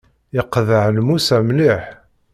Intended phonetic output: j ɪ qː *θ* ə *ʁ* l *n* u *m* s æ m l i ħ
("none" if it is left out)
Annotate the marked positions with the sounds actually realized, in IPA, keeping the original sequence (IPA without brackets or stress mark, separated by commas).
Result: ð, ʕ, m, none